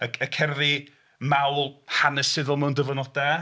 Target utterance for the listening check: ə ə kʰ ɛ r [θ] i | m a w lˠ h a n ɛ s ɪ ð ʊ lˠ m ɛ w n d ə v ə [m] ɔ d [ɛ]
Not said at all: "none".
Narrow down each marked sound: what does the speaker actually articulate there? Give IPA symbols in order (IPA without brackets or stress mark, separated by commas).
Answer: ð, n, a